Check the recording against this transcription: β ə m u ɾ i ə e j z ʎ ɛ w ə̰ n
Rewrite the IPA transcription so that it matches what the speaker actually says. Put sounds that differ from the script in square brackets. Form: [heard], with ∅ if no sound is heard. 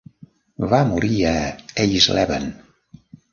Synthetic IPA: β [a] m u ɾ i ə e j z [l] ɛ [β] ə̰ n